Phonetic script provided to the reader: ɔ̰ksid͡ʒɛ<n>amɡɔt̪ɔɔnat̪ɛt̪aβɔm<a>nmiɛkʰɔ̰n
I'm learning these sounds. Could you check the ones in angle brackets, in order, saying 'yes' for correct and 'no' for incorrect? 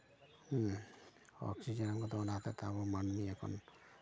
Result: yes, yes

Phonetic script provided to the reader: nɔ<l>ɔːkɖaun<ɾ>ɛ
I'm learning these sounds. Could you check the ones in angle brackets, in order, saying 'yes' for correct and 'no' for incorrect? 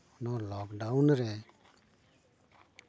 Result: yes, yes

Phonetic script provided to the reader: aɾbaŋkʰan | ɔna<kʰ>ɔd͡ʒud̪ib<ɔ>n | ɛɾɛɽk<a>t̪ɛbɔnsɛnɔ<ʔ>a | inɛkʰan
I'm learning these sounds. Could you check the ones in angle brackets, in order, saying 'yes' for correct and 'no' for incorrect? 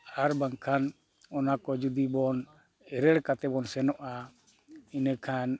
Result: no, yes, yes, yes

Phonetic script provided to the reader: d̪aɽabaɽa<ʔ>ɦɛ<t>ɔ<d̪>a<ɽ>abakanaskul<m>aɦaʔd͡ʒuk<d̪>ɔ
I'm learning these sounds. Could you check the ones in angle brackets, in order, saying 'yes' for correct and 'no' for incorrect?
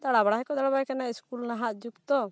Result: no, no, yes, yes, no, no

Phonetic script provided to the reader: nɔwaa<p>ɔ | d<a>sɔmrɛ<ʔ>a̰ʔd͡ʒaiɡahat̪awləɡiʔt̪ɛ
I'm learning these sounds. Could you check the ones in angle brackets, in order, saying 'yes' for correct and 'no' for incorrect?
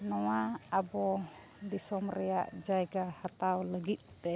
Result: no, no, no

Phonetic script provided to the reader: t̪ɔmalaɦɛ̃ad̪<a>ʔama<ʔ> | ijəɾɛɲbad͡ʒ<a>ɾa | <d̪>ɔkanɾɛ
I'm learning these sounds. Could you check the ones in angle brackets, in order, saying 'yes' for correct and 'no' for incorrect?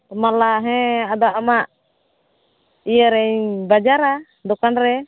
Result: yes, yes, yes, yes

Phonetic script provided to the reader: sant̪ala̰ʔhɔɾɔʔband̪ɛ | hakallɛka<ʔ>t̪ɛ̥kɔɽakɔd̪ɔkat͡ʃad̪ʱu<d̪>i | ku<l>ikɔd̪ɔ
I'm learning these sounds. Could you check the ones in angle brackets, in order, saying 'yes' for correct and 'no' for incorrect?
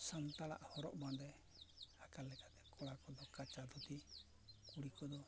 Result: no, no, no

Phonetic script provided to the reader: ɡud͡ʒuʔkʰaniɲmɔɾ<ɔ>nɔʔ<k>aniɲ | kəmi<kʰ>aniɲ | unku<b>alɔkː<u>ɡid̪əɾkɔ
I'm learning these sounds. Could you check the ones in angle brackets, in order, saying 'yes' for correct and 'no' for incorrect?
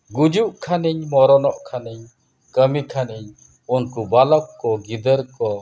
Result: yes, no, yes, yes, no

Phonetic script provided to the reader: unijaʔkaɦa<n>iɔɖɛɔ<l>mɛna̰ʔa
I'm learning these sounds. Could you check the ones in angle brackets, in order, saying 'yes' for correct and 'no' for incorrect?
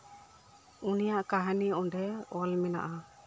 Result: yes, yes

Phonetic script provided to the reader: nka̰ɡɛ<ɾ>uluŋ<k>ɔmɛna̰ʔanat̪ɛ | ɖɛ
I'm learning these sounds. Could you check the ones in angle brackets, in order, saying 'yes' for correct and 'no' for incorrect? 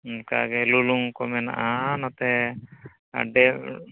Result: no, yes

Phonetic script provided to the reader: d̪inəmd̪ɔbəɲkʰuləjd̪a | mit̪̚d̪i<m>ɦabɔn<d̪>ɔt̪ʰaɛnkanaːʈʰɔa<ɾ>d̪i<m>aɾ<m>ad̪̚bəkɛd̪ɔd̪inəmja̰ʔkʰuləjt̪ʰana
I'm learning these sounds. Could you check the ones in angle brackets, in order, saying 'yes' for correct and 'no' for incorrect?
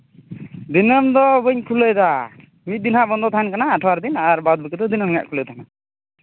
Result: no, yes, yes, no, no

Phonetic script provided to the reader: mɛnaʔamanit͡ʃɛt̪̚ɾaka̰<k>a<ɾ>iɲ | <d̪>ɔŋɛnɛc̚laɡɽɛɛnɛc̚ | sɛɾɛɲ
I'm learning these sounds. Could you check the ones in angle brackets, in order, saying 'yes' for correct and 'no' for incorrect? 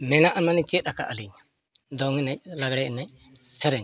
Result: no, no, yes

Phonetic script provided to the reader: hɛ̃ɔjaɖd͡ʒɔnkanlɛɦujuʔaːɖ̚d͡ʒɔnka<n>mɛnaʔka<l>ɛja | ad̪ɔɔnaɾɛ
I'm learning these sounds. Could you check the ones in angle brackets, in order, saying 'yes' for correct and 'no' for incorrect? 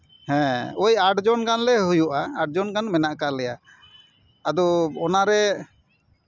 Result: yes, yes

